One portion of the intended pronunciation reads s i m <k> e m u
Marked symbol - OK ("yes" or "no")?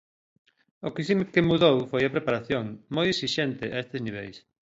yes